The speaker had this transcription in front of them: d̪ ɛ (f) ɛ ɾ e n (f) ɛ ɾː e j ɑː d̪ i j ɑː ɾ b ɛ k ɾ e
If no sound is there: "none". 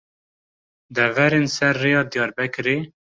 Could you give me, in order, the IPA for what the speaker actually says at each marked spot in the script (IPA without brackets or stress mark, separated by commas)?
v, s